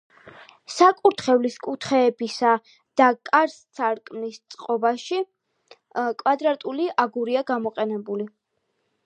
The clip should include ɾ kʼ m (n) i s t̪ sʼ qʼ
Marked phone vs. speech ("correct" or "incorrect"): correct